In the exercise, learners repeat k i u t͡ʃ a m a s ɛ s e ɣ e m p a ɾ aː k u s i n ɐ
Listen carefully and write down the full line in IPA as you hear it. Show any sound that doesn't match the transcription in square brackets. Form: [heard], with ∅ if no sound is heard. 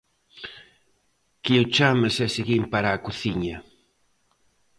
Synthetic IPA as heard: k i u t͡ʃ a m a s ɛ s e ɣ [i] m p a ɾ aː k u [θ] i [ɲ] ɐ